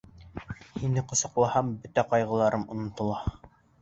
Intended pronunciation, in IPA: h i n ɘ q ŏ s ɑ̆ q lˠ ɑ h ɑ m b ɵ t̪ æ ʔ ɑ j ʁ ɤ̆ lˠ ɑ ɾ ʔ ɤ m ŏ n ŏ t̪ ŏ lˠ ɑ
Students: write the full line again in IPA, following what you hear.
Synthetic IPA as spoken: h i n ɘ q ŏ s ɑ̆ q lˠ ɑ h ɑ m b ɵ t̪ æ q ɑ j ʁ ɤ̆ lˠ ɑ ɾ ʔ ɤ m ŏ n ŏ t̪ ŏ lˠ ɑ